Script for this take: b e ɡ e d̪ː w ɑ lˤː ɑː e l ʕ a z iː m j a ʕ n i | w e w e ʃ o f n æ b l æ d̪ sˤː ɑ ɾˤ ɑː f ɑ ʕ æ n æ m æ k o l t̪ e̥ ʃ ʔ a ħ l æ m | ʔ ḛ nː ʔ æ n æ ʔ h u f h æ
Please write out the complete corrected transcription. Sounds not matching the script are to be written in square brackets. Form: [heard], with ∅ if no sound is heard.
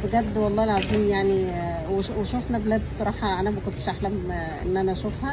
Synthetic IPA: b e ɡ [æ] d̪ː w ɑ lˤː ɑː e l ʕ a z iː m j a ʕ n i | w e w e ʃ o f n æ b l æ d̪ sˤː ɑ ɾˤ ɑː [ħ] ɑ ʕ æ n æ m æ k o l t̪ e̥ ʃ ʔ a ħ l æ m | ʔ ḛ nː ʔ æ n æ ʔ [ʃ] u f h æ